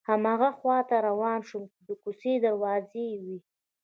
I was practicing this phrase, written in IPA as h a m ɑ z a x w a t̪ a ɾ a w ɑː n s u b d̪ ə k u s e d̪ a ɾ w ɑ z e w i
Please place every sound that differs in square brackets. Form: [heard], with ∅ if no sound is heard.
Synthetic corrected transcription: h a m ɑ [ɣ] a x w [ɑ] t̪ a ɾ a w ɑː n [ʃ] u [m] d̪ ə k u s e d̪ a ɾ w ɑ z e w i